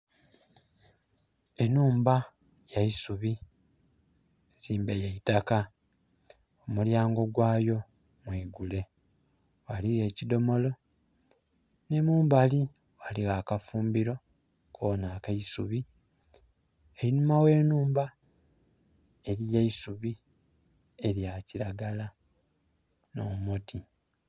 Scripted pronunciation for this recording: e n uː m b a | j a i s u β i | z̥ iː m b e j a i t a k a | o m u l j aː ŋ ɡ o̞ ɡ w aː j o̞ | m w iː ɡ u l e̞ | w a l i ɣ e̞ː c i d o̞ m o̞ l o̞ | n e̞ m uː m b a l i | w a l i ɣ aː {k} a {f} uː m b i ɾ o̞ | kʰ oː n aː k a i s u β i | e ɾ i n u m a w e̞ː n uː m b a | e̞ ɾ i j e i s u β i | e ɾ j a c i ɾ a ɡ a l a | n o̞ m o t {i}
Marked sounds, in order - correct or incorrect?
correct, correct, correct

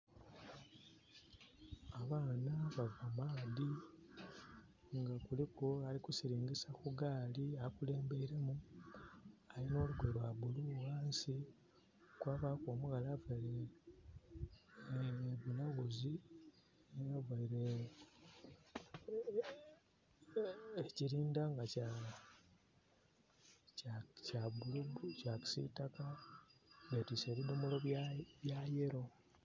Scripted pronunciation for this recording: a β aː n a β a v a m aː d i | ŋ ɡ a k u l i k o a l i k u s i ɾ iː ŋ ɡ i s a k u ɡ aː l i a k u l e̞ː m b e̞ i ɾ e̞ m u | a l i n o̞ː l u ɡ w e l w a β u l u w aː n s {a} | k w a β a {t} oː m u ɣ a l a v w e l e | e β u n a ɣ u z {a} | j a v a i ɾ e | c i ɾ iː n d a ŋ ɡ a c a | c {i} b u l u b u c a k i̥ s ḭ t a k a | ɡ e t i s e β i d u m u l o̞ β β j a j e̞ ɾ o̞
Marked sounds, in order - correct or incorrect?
incorrect, incorrect, incorrect, incorrect

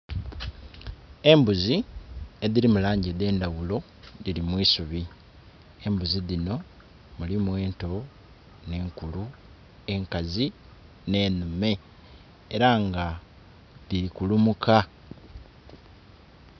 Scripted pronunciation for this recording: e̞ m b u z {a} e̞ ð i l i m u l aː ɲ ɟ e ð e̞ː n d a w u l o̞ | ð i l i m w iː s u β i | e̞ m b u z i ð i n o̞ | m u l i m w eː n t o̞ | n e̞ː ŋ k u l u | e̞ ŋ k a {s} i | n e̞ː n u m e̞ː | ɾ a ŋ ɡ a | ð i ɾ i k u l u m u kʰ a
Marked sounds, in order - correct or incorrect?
incorrect, incorrect

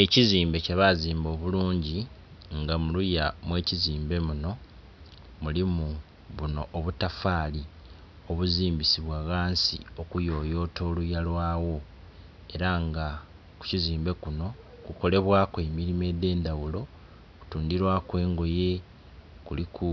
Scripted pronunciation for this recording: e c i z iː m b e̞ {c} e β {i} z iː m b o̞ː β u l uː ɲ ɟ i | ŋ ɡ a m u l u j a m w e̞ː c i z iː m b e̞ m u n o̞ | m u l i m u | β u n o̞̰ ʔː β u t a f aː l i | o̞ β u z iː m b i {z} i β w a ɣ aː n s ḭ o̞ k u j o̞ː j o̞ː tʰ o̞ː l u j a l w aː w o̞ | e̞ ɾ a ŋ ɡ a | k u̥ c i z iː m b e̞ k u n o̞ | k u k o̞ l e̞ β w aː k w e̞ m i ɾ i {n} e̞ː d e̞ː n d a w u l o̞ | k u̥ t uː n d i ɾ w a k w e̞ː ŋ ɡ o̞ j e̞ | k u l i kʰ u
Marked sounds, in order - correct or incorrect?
correct, incorrect, incorrect, incorrect

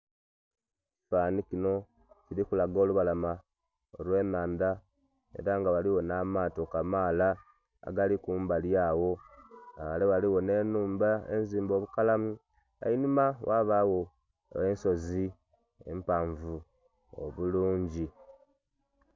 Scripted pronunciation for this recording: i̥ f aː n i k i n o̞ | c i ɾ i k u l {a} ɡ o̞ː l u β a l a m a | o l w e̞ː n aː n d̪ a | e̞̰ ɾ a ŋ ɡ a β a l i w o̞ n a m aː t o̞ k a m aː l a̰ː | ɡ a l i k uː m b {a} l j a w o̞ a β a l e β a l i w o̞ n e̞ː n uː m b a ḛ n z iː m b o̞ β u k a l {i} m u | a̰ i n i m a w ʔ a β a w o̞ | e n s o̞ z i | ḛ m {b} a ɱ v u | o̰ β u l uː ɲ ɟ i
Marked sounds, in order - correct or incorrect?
correct, correct, incorrect, incorrect

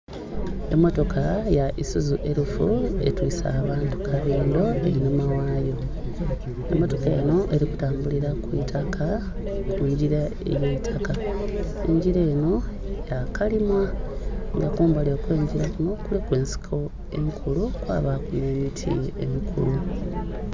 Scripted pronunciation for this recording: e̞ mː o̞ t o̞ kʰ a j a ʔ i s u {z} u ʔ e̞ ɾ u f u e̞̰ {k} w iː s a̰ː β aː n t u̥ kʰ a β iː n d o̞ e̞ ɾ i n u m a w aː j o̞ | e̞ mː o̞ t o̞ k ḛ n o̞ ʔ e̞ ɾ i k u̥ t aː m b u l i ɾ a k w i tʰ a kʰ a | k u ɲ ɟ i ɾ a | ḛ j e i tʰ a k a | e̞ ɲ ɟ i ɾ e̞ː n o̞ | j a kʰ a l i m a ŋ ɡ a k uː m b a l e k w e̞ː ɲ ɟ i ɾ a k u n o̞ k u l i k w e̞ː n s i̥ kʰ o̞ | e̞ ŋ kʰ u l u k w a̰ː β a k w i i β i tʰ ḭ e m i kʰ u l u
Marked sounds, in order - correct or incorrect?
correct, incorrect

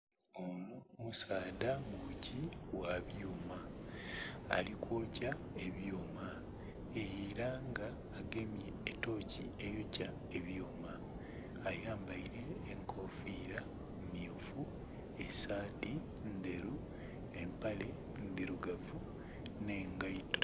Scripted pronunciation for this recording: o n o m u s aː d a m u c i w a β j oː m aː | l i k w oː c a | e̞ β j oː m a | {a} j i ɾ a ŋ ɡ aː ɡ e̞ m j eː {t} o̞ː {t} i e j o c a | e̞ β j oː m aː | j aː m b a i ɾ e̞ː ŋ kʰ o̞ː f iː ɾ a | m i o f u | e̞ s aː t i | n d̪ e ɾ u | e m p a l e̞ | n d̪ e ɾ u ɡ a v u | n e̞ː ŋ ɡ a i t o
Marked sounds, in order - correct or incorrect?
incorrect, correct, incorrect

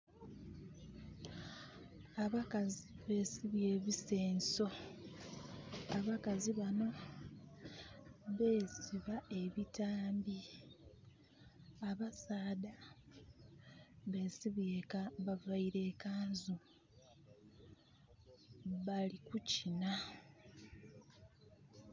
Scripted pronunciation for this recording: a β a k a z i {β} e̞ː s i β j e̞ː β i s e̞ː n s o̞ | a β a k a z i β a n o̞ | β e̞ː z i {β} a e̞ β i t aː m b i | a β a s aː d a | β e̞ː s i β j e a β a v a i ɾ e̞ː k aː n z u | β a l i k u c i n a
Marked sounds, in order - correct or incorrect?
correct, correct

